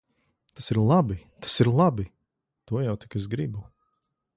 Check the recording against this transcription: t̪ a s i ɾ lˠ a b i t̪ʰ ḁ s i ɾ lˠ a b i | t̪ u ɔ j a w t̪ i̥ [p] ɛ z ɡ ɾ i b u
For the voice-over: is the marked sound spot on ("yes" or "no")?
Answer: no